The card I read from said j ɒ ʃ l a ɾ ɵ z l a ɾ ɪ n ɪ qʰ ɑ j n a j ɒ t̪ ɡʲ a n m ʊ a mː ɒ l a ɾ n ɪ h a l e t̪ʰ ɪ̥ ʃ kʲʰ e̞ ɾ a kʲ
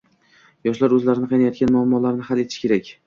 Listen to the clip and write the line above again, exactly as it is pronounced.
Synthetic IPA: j ɒ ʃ l a ɾ ɵ z l a ɾ ɪ n ɪ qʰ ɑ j n a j ɒ t̪ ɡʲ a n m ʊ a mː ɒ l a ɾ n ɪ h a l e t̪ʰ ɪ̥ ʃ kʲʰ e̞ ɾ a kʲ